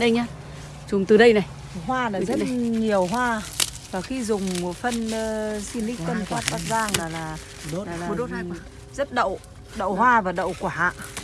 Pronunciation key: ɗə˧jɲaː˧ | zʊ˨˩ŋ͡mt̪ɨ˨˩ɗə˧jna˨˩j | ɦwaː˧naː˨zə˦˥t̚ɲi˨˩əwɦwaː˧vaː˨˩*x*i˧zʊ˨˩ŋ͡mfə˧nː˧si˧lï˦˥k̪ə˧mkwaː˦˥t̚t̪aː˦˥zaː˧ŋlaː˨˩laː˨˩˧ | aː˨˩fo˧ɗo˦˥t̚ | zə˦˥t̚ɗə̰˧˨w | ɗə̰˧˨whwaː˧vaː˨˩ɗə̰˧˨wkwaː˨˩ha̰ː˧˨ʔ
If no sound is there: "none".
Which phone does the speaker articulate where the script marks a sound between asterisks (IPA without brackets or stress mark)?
x